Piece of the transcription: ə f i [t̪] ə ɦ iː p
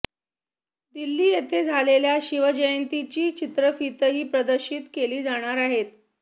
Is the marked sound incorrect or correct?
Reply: correct